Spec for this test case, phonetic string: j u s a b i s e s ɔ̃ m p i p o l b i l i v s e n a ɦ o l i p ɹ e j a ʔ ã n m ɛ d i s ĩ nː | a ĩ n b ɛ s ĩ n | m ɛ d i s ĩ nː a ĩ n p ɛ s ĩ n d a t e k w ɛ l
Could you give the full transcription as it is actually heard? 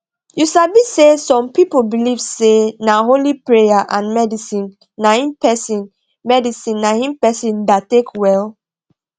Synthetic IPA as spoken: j u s a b i s e s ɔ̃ m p i p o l b i l i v s e n a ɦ o l i p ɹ e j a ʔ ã n m ɛ d i s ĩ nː | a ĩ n p ɛ s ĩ n | m ɛ d i s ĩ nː a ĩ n p ɛ s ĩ n d a t e k w ɛ l